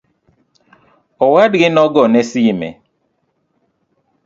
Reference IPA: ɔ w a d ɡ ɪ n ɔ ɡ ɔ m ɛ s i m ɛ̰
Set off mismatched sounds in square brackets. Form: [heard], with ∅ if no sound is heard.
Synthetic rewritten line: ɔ w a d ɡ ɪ n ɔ ɡ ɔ [n] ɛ s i m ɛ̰

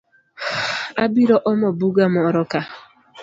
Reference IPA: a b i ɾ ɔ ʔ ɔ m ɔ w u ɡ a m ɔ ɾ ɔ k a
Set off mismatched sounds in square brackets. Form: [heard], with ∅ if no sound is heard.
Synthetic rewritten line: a b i ɾ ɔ ʔ ɔ m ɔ [b] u ɡ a m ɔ ɾ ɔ k a

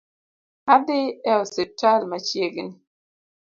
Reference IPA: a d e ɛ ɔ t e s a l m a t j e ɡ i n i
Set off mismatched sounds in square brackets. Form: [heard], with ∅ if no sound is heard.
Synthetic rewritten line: a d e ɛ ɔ [s] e [t] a l m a [t͡ʃ] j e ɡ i n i

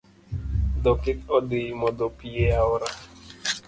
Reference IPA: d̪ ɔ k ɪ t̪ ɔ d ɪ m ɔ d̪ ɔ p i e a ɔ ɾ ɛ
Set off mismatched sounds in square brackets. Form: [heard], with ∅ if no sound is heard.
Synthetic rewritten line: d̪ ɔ k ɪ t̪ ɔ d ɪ m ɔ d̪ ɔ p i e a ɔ ɾ [a]

